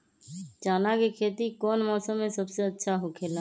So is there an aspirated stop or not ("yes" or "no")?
yes